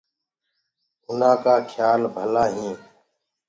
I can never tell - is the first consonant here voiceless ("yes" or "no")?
no